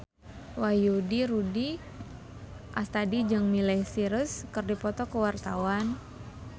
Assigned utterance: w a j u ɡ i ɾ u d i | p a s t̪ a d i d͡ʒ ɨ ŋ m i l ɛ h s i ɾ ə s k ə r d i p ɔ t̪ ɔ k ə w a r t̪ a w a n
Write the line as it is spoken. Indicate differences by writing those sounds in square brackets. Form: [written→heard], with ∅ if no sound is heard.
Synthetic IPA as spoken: w a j u [ɡ→d] i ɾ u d i | [p→ʔ] a s t̪ a d i d͡ʒ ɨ ŋ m i l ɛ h s i ɾ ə s k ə r d i p ɔ t̪ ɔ k ə w a r t̪ a w a n